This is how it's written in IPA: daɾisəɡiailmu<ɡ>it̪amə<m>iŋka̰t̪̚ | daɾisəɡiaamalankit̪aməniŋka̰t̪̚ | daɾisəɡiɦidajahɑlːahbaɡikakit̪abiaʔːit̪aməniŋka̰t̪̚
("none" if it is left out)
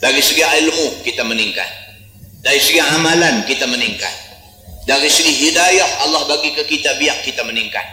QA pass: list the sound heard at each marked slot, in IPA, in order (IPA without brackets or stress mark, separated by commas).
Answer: k, n